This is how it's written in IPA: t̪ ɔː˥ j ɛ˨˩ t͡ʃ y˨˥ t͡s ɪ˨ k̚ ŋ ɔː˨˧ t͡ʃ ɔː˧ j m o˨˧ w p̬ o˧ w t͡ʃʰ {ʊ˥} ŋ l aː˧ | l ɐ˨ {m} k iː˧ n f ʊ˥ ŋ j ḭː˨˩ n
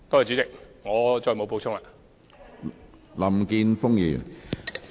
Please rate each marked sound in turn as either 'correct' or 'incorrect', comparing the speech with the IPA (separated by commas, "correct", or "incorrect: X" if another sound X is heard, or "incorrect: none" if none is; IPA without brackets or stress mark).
correct, correct